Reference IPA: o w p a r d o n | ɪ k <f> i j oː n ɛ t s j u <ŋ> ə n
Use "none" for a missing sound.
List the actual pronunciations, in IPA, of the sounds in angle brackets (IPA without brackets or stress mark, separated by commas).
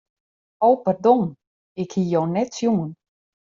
h, m